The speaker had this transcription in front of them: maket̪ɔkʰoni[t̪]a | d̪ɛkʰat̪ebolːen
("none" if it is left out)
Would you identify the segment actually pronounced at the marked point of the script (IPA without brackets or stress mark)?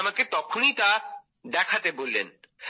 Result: t̪